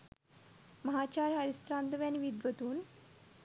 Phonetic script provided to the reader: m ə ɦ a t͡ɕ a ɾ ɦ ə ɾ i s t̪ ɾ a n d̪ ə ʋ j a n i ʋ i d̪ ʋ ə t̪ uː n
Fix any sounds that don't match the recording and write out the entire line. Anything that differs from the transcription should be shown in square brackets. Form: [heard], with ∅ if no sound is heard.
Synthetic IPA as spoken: m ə ɦ a t͡ɕ a ɾ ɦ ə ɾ i s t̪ ɾ a n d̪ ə ʋ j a n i ʋ i d̪ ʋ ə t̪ uː n